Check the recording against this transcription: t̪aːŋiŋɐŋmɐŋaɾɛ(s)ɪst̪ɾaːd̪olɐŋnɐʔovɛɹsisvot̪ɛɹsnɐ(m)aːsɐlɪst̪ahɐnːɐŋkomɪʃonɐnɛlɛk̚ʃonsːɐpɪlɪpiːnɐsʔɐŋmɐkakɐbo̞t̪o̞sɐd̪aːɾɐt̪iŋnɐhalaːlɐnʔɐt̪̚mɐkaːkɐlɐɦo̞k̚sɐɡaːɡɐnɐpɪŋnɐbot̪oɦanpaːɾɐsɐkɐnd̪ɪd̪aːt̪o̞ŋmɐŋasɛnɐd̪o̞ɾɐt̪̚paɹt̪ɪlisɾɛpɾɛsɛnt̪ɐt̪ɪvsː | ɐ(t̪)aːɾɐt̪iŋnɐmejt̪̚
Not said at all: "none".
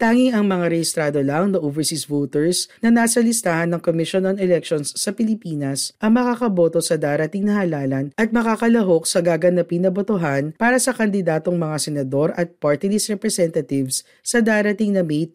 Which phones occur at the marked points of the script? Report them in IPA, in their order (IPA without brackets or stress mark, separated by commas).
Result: h, n, d̪